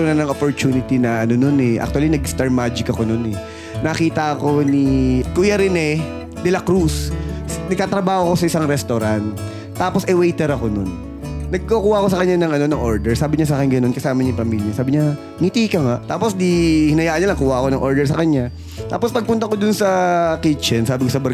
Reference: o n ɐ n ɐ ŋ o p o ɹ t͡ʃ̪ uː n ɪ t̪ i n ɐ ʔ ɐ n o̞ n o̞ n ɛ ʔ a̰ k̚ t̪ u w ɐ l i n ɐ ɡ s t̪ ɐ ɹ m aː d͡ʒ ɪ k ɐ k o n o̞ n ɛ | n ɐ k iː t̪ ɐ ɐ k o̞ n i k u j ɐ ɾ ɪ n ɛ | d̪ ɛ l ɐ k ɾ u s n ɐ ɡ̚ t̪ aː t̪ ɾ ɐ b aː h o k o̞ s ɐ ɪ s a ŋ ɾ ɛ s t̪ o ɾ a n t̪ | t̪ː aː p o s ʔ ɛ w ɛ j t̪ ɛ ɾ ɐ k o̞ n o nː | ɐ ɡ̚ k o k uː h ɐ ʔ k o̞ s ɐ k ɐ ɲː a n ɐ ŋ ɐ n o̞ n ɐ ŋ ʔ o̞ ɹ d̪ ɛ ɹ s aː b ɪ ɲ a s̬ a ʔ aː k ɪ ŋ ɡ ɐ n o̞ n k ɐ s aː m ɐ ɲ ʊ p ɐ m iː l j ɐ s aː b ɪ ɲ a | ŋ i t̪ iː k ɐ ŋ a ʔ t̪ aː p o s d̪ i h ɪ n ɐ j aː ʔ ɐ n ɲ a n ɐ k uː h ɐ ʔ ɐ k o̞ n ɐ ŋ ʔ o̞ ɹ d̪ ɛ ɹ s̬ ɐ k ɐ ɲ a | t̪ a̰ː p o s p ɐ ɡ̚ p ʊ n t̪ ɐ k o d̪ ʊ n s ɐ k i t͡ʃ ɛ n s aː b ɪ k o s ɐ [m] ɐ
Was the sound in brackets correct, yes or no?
no